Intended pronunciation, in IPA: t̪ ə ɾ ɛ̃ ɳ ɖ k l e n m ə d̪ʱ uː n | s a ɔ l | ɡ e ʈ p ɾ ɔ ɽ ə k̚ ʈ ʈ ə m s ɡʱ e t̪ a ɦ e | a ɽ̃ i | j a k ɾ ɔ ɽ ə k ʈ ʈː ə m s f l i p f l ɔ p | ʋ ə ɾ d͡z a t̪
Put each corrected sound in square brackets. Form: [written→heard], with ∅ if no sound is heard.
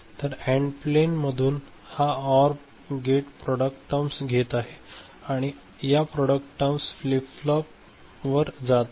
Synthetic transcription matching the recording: t̪ ə ɾ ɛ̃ ɳ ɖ [k→p] l e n m ə d̪ʱ uː n | [s→h] a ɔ [l→ɾ] | ɡ e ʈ p ɾ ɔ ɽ ə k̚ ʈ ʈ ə m s ɡʱ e t̪ a ɦ e | a ɽ̃ i | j a [k→p] ɾ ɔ ɽ ə k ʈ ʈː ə m s f l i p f l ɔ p | ʋ ə ɾ d͡z a t̪